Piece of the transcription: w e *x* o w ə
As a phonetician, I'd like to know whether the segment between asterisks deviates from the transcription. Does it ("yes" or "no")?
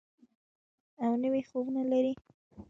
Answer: no